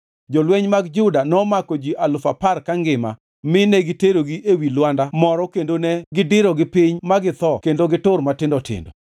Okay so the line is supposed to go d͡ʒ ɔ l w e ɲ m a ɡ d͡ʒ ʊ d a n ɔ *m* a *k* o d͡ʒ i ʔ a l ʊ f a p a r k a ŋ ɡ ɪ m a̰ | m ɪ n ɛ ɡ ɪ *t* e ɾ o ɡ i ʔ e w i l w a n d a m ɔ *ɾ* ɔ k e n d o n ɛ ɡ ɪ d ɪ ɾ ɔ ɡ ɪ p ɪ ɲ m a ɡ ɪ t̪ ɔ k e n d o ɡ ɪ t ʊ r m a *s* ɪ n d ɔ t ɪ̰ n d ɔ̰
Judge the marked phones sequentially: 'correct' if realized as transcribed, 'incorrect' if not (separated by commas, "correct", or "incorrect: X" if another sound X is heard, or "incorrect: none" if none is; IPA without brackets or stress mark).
correct, correct, correct, correct, incorrect: t